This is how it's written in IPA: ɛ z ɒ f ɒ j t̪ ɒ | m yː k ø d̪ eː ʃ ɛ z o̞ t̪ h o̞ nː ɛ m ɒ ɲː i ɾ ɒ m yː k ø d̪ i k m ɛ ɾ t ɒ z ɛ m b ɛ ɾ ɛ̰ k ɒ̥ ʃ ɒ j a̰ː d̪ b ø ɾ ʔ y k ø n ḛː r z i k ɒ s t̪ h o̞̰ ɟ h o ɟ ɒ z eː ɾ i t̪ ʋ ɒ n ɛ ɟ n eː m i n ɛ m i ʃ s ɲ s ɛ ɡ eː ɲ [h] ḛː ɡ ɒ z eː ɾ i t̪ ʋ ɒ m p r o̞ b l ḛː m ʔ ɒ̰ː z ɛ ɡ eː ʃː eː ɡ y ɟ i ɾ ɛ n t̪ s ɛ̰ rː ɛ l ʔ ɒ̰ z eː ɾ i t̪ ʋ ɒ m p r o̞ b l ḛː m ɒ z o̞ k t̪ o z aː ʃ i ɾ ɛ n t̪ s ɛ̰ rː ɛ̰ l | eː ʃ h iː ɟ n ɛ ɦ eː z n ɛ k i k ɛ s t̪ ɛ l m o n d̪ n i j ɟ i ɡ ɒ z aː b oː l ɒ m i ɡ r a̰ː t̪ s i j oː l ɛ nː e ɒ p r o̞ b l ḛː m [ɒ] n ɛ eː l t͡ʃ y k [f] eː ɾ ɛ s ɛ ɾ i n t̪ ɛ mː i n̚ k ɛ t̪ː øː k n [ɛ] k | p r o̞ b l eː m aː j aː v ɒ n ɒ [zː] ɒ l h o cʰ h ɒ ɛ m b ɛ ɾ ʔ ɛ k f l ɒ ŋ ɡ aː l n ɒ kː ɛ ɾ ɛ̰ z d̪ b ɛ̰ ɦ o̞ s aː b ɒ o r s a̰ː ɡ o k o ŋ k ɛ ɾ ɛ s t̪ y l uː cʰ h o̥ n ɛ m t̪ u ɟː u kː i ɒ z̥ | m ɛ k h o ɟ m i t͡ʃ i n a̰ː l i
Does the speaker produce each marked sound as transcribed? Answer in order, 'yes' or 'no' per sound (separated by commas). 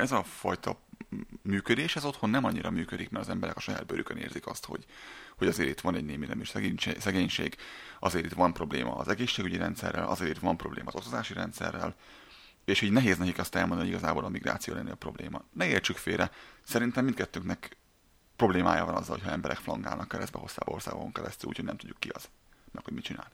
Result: no, yes, yes, yes, yes